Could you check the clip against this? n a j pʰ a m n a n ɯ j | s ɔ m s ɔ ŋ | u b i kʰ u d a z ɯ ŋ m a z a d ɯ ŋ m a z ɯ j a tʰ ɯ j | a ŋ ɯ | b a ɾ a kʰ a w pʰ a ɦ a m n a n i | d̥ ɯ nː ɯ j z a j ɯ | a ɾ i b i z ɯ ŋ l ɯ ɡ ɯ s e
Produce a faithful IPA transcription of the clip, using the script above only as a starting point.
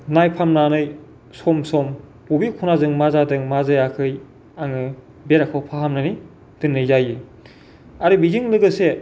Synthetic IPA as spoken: n a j pʰ a m n a n ɯ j | s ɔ m s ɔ m | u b i kʰ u n a z ɯ ŋ m a z a d ɯ ŋ m a z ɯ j a kʰ ɯ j | a ŋ ɯ | b e ɾ a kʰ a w pʰ a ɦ a m n a n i | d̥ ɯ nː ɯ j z a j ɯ | a ɾ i b i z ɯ ŋ l ɯ ɡ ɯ s e